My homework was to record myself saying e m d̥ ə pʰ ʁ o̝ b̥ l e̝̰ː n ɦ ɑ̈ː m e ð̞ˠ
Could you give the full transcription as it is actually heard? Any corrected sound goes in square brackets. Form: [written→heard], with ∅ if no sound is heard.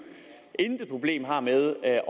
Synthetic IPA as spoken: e [m→n] d̥ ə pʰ ʁ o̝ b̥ l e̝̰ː [n→m] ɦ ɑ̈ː m e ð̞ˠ